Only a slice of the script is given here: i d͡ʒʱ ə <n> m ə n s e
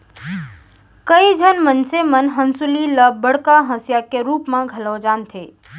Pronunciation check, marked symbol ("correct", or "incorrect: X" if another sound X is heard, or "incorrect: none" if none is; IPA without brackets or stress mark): correct